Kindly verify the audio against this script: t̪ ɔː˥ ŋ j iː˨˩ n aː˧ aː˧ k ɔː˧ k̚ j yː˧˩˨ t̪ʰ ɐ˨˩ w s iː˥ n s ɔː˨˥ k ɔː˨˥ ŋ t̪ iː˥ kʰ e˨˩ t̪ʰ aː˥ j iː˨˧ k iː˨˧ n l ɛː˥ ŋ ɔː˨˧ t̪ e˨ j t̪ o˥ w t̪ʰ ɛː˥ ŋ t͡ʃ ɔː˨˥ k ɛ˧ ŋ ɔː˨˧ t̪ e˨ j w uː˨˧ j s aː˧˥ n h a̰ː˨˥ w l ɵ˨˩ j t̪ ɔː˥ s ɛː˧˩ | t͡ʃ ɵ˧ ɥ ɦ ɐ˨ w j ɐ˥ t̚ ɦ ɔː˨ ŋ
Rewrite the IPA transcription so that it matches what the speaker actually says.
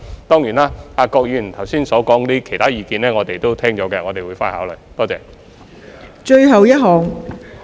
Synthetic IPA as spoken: t̪ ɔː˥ ŋ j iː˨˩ n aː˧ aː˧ k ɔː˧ k̚ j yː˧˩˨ t̪ʰ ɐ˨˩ w s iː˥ n s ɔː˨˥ k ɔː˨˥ ŋ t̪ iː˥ kʰ e˨˩ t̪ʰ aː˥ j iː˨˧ k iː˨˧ n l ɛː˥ ŋ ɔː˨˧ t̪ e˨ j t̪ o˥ w t̪ʰ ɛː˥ ŋ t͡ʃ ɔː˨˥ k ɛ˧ ŋ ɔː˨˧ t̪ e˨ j w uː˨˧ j f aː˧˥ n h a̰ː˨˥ w l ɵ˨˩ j t̪ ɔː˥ t͡s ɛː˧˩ | t͡ʃ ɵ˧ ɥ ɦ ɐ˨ w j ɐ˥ t̚ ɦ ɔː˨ ŋ

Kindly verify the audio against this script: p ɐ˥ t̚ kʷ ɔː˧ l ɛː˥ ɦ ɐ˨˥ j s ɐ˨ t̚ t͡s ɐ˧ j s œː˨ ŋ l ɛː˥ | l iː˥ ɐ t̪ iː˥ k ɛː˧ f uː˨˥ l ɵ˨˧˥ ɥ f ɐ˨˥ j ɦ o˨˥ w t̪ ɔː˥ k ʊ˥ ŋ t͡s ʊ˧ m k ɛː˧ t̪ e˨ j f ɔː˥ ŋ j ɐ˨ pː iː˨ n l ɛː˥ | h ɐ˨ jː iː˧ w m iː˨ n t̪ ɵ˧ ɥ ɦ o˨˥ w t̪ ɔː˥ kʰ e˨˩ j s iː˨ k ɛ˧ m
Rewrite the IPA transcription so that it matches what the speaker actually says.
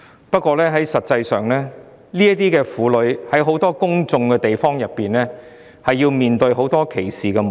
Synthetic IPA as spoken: p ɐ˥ t̚ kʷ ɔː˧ l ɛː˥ ɦ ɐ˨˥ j s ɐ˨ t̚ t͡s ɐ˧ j s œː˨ ŋ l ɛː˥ | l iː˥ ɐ t̪ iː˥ k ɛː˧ f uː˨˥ l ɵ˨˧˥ ɥ h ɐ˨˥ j ɦ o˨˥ w t̪ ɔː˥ k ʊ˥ ŋ t͡s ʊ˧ ŋ k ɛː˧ t̪ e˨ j f ɔː˥ ŋ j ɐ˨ pː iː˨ n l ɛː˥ | h ɐ˨ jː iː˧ w m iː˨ n t̪ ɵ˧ ɥ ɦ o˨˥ w t̪ ɔː˥ kʰ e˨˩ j s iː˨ k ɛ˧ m

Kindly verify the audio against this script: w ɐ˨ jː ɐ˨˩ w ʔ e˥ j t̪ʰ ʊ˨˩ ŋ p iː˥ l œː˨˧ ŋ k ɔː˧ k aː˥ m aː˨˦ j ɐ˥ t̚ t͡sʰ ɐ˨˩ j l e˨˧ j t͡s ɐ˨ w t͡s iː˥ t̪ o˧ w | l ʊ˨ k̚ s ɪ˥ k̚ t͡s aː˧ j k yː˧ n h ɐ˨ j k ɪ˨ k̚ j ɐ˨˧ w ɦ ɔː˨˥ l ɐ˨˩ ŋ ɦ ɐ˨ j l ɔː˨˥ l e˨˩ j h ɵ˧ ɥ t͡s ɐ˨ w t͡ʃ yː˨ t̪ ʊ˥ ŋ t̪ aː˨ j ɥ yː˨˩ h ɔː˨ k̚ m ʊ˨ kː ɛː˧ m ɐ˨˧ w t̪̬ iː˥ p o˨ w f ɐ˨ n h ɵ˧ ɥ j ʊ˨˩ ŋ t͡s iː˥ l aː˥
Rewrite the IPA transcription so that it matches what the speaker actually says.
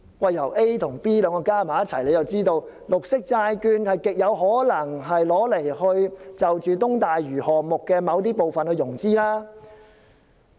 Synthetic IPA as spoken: w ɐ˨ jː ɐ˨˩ w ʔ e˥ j t̪ʰ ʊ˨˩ ŋ p iː˥ l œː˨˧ ŋ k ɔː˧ k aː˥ m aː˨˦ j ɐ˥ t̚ t͡sʰ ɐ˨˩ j l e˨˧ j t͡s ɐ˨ w t͡s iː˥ t̪ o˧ w | l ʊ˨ k̚ s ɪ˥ k̚ t͡s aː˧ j k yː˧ n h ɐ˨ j k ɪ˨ k̚ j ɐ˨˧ w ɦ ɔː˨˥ l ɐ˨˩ ŋ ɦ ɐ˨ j l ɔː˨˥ l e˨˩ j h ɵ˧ ɥ t͡s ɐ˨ w t͡ʃ yː˨ t̪ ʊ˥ ŋ t̪ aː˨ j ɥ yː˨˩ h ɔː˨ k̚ m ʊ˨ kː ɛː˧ m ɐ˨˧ w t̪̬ iː˥ p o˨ w f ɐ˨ n h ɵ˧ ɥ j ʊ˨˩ ŋ t͡s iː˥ l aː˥

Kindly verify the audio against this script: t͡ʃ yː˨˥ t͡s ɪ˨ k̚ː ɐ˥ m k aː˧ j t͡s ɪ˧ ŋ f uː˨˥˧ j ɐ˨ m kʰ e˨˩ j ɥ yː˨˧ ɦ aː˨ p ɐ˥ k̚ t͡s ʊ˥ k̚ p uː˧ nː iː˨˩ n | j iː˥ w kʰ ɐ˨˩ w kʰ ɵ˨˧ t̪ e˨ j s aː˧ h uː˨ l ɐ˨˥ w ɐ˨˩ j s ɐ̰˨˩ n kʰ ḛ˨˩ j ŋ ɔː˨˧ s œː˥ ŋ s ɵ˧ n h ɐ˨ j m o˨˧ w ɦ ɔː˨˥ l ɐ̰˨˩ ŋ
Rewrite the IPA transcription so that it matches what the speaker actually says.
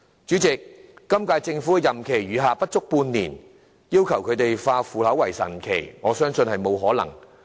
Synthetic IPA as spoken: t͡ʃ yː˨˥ t͡s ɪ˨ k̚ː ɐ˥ m k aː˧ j t͡s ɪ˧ ŋ f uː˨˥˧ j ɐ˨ m kʰ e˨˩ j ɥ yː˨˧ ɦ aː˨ p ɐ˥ t̚ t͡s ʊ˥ k̚ p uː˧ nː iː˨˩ n | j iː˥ w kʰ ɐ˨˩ w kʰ ɵ˨˧ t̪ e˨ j f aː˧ f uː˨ l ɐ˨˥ w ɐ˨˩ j s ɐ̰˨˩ n kʰ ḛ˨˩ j ŋ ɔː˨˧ s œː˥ ŋ s ɵ˧ n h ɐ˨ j m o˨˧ w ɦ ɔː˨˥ l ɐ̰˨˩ ŋ

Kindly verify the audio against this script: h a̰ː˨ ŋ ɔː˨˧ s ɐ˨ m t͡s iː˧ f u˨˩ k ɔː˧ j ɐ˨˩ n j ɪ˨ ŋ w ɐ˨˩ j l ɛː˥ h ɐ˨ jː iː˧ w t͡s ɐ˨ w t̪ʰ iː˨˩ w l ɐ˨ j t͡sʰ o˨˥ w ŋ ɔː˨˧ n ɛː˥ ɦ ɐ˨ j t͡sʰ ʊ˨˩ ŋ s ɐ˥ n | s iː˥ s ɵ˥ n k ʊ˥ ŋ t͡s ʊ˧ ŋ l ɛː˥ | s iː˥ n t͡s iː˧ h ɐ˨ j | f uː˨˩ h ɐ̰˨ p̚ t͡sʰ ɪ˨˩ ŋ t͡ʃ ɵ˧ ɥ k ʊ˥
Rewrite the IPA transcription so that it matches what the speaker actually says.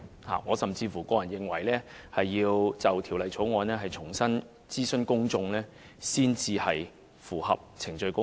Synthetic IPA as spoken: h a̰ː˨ ŋ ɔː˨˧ s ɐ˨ m t͡s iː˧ f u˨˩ k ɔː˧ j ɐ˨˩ n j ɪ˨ ŋ w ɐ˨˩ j l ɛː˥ h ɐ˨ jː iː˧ w t͡s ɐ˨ w t̪ʰ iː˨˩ w l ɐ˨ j t͡sʰ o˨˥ w ŋ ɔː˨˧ n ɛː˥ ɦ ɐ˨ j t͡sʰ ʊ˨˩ ŋ s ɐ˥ n | t͡s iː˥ s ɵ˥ n k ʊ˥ ŋ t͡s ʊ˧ ŋ l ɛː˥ | s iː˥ n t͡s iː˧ h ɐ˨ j | f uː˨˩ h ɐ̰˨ p̚ t͡sʰ ɪ˨˩ ŋ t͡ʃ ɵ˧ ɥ k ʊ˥

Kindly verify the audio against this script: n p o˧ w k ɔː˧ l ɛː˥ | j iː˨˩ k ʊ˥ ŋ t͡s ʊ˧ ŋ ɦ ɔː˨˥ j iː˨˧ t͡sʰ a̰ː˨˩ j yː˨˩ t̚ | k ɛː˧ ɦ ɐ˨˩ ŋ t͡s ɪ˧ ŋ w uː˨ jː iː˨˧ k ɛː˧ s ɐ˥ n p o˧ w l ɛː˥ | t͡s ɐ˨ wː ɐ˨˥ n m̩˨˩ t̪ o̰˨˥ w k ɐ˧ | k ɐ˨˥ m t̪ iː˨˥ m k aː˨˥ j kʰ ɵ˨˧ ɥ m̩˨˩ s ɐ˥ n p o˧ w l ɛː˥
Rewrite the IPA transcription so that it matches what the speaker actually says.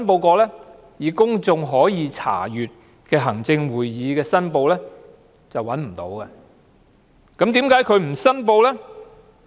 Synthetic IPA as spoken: n p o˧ w k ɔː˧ l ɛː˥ | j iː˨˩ k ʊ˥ ŋ t͡s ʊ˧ ŋ ɦ ɔː˨˥ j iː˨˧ t͡sʰ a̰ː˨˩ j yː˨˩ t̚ | k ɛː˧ ɦ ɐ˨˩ ŋ t͡s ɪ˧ ŋ w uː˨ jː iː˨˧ k ɛː˧ s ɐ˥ n p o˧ w l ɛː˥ | t͡s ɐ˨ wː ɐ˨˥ n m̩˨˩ t̪ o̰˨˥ w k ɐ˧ | k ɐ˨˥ m t̪ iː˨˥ m k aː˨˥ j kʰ ɵ˨˧ ɥ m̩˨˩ s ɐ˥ n p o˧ w l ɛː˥

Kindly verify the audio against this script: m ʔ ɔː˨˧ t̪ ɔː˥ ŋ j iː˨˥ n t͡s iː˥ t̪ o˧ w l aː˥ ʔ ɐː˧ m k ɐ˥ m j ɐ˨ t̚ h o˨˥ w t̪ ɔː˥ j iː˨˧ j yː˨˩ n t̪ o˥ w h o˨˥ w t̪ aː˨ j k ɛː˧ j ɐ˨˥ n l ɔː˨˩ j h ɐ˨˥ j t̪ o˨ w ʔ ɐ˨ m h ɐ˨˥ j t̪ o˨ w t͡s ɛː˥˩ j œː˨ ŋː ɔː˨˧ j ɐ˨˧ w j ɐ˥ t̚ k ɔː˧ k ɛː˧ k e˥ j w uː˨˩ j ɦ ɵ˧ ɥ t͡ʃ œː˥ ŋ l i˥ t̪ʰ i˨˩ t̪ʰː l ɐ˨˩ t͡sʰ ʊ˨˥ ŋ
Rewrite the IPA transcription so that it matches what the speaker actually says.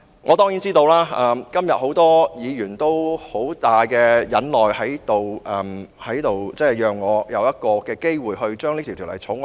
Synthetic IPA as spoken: ŋ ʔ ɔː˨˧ t̪ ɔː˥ ŋ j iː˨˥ n t͡s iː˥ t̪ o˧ w l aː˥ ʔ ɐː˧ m k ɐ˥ m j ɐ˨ t̚ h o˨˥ w t̪ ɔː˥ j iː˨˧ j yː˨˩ n t̪ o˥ w h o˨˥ w t̪ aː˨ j k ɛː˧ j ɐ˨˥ n l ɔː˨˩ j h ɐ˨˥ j t̪ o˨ w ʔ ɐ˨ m h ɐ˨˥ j t̪ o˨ w t͡s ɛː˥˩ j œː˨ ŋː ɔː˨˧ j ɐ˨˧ w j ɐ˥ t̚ k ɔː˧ k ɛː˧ k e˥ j w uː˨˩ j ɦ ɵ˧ ɥ t͡ʃ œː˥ ŋ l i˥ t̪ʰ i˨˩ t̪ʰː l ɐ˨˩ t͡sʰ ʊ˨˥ ŋ

